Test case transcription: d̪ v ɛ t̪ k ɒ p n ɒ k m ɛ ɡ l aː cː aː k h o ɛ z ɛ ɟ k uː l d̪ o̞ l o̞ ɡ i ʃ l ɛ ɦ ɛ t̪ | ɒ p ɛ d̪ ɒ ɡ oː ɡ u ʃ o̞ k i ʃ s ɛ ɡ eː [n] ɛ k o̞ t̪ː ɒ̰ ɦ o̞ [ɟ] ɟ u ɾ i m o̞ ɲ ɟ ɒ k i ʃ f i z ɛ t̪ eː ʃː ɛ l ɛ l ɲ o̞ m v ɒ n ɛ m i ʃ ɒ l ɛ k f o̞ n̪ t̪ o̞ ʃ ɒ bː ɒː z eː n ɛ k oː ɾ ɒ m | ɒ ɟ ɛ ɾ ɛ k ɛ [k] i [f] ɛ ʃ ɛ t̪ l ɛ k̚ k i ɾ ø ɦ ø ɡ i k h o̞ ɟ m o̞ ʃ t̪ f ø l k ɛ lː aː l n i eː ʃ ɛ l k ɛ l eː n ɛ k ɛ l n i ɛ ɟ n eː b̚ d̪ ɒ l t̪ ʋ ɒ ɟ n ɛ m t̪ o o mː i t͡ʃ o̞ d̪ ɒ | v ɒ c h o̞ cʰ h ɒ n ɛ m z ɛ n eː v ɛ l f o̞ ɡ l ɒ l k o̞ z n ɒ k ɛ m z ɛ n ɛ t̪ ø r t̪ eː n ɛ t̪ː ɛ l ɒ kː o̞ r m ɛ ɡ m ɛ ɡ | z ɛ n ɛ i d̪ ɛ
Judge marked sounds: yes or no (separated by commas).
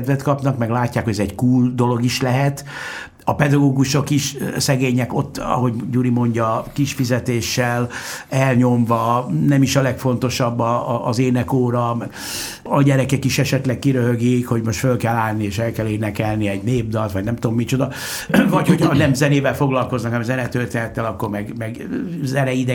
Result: no, yes, yes, no